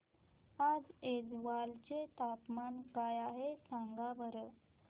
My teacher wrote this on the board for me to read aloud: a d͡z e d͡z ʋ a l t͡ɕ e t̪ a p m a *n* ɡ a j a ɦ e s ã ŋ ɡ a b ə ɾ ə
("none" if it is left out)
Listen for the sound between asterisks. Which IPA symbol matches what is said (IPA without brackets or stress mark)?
n